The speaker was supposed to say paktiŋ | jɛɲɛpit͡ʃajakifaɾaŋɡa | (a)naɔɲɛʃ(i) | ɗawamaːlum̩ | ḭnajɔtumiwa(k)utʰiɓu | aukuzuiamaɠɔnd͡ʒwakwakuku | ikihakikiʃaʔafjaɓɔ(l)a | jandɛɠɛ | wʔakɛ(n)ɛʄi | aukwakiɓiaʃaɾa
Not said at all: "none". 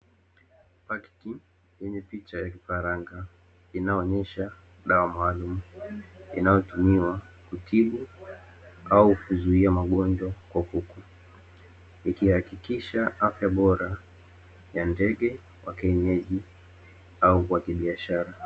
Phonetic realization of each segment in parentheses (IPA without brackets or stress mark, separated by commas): i, a, k, ɾ, ɲ